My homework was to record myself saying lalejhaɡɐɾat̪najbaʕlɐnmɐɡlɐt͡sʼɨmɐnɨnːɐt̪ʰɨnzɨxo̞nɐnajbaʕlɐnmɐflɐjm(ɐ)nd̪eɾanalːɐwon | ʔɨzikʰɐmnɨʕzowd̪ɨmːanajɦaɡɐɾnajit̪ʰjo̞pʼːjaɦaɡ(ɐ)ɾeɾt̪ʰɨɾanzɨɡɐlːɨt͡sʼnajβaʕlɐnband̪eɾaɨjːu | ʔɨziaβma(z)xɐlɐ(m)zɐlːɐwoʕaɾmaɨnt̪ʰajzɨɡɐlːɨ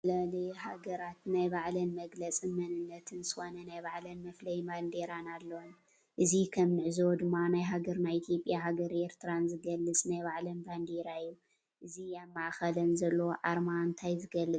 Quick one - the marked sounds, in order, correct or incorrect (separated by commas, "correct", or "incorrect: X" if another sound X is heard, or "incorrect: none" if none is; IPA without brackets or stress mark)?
incorrect: a, correct, incorrect: ʕ, incorrect: n